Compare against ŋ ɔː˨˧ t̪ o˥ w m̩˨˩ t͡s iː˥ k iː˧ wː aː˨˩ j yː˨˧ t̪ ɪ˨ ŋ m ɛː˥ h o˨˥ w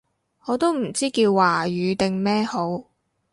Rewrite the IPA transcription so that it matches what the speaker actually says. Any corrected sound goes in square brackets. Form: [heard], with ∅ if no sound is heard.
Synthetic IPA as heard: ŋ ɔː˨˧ t̪ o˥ w m̩˨˩ t͡s iː˥ k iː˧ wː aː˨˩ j yː˨˧ t̪ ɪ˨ ŋ m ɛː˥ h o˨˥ w